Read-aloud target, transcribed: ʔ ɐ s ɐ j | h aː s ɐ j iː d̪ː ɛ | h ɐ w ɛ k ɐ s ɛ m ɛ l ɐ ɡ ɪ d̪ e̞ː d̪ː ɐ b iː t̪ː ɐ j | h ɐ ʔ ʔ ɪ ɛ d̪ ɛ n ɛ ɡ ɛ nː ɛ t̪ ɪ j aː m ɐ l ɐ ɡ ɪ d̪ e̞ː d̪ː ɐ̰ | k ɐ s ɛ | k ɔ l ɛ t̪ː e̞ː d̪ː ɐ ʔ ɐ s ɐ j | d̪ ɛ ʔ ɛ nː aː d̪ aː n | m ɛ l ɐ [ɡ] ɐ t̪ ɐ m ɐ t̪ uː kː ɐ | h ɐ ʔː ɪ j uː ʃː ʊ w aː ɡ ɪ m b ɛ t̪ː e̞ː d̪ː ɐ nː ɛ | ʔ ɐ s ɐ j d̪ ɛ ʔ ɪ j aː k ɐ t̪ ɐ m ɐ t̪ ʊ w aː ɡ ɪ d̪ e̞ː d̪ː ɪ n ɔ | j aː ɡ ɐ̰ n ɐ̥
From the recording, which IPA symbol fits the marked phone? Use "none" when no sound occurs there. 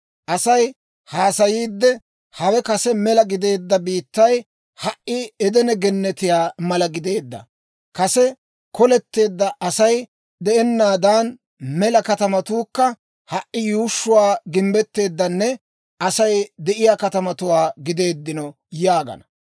k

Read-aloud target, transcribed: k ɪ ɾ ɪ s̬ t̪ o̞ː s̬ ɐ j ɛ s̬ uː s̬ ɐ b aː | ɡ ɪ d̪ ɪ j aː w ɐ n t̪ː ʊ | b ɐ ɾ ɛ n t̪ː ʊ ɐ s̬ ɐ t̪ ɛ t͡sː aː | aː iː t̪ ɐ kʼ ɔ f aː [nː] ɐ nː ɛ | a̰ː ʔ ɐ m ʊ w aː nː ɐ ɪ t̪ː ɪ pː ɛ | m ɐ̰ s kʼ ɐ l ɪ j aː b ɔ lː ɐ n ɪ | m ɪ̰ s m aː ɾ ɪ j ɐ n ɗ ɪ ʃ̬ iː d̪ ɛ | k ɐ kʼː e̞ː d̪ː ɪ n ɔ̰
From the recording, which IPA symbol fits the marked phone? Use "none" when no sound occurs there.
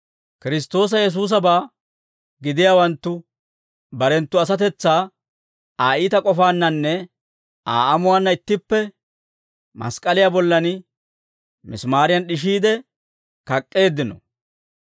nː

